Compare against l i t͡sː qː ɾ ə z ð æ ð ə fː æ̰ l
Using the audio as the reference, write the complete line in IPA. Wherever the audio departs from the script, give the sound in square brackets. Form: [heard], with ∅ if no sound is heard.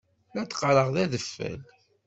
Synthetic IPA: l [æ] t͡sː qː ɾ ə [ʁ] ð æ ð ə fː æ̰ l

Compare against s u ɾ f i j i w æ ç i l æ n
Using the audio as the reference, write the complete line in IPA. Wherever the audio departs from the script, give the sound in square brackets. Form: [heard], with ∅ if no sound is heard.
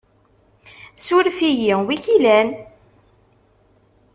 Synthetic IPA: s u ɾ f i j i w [i] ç i l æ n

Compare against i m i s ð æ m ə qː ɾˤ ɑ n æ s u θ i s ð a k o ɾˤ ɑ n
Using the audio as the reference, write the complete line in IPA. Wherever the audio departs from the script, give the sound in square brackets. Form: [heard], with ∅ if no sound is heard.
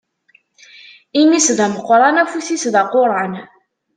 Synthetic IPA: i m i s ð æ m ə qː ɾˤ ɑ n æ [f] u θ i s ð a [q] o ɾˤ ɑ n

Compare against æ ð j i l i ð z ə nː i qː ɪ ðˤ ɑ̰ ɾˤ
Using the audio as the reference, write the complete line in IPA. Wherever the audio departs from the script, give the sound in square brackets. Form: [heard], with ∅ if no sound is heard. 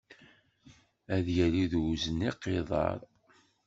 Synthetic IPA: æ ð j [æ] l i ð z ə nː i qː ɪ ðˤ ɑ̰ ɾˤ

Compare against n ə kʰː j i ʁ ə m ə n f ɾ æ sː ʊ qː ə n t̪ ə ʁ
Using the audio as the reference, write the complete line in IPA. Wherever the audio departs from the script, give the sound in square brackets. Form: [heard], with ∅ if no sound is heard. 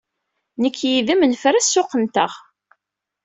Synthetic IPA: n ə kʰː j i [ð] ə m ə n f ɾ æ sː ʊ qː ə n t̪ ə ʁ

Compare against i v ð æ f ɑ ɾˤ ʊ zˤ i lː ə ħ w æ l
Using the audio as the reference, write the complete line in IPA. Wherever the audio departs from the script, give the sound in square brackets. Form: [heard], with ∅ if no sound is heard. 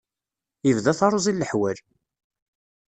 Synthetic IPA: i v ð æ [θ] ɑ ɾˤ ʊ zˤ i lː ə ħ w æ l

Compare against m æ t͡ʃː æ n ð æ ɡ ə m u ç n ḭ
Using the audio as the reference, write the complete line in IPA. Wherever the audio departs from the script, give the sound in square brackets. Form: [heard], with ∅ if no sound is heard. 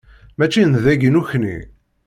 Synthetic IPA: m æ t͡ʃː [i] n ð æ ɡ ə [n] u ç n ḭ

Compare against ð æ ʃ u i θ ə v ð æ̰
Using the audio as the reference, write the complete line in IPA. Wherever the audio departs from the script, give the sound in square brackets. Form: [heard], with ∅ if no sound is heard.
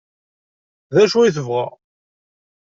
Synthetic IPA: ð æ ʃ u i θ ə v [ʁ] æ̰

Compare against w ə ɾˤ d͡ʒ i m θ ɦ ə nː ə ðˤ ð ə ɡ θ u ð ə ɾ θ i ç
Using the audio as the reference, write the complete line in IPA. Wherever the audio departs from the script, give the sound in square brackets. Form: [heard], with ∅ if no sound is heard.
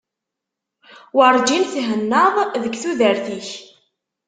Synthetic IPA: w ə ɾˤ d͡ʒ i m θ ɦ ə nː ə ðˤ ð ə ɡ θ u ð ə ɾ θ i ç

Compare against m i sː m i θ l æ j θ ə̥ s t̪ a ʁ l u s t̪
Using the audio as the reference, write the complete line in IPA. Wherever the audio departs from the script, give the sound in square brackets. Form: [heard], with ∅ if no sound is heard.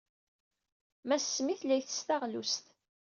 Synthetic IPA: m [æ] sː m i θ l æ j θ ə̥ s t̪ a ʁ l u s t̪

